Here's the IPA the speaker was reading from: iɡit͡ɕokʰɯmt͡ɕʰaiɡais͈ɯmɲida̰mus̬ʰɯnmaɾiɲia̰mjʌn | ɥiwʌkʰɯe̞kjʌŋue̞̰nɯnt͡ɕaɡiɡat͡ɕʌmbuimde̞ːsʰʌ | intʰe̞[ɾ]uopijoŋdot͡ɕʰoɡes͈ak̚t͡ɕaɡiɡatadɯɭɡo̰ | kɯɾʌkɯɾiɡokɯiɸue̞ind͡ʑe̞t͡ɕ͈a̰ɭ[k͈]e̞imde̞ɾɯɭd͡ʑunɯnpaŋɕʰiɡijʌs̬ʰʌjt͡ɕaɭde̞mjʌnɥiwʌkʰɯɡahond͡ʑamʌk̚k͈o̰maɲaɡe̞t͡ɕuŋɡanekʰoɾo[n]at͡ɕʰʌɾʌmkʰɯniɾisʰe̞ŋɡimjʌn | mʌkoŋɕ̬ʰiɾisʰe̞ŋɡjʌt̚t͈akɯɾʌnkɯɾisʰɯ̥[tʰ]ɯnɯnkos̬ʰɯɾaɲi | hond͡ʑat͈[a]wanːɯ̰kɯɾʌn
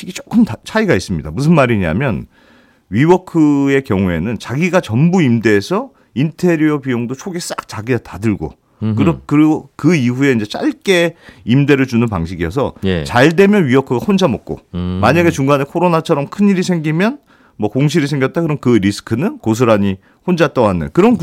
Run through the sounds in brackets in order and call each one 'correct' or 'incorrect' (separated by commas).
correct, correct, correct, incorrect, incorrect